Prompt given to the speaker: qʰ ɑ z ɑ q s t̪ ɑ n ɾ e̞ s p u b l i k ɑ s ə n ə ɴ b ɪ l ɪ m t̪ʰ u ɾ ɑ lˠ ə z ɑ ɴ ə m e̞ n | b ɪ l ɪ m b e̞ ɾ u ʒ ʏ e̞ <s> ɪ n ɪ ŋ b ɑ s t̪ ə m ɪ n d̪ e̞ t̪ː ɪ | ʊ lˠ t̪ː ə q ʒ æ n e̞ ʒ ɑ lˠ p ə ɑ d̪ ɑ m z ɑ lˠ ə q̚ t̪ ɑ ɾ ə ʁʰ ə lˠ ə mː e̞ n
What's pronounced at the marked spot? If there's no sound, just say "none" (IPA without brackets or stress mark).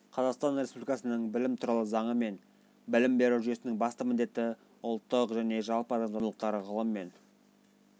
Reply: s